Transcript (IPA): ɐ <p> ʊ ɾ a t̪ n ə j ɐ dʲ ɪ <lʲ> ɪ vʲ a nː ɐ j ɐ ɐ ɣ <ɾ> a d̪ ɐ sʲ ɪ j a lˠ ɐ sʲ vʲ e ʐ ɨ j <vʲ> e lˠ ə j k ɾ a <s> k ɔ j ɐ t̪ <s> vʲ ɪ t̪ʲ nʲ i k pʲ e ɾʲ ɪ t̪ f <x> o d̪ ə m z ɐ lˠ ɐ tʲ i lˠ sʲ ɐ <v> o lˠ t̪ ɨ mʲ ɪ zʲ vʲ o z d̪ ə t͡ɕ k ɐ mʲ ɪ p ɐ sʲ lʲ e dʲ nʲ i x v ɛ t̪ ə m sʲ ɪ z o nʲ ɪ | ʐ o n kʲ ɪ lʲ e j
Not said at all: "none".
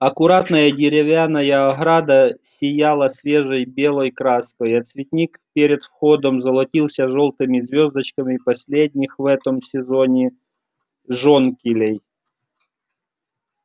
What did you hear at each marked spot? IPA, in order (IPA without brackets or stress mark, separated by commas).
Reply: k, ɾʲ, ɾ, bʲ, s, s, x, ʐ